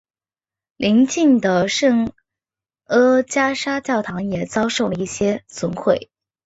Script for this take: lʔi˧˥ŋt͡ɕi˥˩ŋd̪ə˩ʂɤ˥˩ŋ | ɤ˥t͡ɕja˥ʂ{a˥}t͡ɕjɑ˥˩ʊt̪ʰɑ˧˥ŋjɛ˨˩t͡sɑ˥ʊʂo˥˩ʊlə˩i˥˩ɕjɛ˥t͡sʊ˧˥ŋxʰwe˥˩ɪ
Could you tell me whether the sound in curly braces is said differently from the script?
no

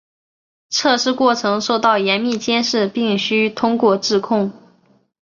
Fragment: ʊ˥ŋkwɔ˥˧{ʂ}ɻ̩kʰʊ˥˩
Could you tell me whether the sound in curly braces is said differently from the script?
yes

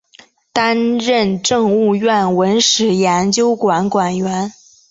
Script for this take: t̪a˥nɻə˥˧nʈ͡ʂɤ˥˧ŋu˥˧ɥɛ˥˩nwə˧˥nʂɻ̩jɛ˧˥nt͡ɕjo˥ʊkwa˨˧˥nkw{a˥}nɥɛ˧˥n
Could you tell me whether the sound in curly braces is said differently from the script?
yes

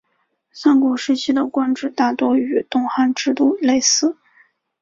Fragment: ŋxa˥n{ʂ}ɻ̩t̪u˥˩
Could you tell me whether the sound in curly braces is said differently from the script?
yes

